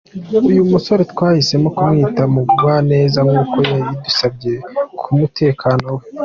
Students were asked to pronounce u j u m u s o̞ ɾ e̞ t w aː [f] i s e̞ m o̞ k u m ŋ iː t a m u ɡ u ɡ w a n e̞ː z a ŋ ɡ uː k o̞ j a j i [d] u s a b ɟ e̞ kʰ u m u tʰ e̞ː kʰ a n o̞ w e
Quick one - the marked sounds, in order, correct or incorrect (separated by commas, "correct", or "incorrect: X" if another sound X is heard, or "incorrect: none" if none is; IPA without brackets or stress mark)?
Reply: incorrect: h, correct